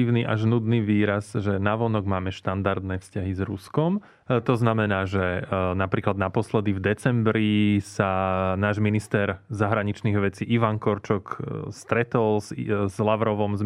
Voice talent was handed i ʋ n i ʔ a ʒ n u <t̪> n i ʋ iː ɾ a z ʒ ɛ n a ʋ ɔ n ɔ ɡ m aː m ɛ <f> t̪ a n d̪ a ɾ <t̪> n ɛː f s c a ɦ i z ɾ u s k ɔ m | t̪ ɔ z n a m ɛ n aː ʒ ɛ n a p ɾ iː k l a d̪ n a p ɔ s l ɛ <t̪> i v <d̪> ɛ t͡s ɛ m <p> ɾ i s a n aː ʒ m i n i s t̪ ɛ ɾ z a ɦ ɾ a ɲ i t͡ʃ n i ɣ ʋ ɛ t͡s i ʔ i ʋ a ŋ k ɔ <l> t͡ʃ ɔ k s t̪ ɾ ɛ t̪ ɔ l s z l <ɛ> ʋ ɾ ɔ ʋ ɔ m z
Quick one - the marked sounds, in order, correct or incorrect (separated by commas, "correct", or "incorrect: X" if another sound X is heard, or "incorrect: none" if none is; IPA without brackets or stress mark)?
incorrect: d̪, incorrect: ʃ, incorrect: d̪, incorrect: d̪, correct, incorrect: b, incorrect: ɾ, incorrect: a